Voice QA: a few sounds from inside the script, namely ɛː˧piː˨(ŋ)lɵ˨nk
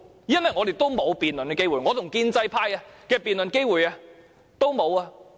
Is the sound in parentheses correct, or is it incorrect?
incorrect: n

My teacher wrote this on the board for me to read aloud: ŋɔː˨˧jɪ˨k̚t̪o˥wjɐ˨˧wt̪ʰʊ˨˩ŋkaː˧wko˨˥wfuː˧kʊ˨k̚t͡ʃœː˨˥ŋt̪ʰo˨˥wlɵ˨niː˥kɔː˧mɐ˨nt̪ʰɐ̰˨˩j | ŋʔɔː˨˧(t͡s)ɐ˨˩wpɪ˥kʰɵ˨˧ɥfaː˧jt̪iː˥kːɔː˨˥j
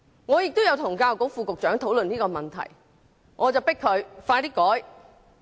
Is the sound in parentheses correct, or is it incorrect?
correct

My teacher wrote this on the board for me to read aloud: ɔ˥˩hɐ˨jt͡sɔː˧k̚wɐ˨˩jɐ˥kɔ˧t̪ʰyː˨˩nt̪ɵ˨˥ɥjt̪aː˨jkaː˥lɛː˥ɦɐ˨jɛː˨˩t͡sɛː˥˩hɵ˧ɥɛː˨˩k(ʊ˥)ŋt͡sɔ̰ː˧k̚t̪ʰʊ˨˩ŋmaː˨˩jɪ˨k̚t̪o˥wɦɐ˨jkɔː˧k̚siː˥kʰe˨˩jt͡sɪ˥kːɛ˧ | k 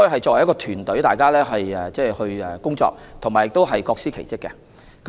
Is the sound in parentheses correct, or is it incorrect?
correct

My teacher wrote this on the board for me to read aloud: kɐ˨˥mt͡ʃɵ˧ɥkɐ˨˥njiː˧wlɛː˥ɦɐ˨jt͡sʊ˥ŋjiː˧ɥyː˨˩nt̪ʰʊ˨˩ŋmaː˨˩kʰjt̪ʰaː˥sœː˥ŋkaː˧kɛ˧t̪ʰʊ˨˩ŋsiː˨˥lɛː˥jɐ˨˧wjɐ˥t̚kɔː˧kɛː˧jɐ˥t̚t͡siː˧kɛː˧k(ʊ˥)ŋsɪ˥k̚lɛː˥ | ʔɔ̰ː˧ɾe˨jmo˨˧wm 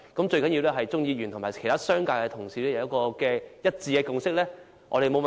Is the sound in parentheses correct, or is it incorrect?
incorrect: ʊ˨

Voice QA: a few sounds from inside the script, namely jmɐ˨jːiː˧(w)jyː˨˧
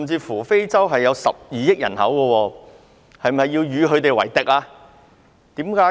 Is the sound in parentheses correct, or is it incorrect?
correct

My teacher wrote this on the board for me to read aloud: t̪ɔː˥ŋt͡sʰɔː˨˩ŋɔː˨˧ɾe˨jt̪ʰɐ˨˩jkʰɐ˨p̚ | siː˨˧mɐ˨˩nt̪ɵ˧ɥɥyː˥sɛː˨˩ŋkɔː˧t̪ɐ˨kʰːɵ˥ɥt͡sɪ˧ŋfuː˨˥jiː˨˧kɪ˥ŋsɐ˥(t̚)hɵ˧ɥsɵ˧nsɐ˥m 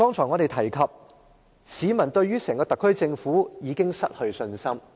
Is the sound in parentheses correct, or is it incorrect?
correct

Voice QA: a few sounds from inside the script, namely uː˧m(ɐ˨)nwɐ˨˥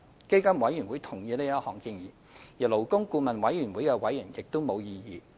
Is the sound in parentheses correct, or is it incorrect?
correct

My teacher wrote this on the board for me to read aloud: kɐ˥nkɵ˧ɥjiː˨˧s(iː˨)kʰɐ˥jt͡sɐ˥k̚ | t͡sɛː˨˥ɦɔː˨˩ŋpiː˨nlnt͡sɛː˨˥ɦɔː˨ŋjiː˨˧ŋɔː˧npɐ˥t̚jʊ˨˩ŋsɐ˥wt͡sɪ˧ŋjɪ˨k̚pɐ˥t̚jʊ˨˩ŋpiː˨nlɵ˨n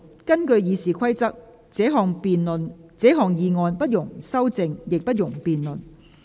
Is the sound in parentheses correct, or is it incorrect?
correct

